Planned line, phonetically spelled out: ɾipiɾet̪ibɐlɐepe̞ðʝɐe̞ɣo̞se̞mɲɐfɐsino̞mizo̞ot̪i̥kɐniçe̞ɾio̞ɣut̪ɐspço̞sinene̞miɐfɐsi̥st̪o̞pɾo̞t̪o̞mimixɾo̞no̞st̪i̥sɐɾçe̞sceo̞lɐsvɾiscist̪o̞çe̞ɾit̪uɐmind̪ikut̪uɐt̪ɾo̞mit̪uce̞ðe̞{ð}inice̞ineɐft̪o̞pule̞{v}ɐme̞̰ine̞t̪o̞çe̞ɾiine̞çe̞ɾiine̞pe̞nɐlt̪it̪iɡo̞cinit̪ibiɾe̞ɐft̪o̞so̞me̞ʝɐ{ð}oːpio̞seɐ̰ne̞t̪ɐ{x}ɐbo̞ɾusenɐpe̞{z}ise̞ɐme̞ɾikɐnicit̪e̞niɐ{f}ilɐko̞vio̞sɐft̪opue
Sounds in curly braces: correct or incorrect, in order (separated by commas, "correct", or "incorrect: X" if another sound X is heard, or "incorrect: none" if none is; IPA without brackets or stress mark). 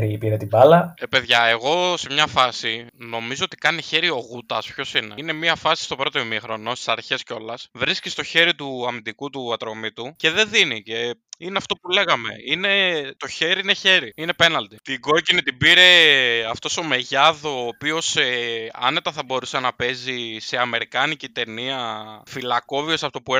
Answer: correct, incorrect: ɣ, correct, incorrect: θ, correct, correct